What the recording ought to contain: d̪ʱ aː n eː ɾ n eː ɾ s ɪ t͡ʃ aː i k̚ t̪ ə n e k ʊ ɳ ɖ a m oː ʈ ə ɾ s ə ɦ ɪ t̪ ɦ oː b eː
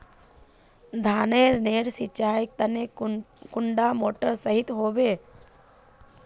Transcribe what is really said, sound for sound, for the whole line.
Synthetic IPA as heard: d̪ʱ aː n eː ɾ n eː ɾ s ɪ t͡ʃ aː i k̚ t̪ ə n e k ʊ ɳ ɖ a m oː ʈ ə ɾ s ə ɦ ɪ t̪ ɦ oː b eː